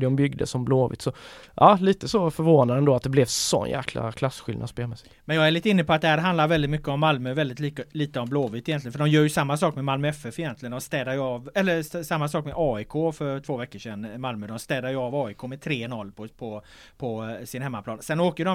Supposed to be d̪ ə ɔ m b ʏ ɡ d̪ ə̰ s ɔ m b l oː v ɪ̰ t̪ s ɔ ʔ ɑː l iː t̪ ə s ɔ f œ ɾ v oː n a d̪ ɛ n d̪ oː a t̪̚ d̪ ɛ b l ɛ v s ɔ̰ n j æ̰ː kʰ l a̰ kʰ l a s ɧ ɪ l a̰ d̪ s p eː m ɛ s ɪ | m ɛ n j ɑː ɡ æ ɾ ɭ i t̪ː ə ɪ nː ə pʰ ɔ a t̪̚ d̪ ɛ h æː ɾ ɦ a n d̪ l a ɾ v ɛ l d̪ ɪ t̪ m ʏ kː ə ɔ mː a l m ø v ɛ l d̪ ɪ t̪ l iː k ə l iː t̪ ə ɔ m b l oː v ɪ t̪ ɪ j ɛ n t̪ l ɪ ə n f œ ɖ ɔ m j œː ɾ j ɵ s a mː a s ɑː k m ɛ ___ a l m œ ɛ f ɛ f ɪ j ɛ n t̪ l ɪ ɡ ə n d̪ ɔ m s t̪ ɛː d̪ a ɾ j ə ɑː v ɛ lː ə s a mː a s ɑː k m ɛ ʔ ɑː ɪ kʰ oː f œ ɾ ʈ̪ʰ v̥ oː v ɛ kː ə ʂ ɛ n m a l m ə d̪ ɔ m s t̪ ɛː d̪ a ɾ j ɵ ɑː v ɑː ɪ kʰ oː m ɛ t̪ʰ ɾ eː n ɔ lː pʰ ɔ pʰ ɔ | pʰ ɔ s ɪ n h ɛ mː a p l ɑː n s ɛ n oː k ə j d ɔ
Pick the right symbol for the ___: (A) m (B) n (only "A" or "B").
A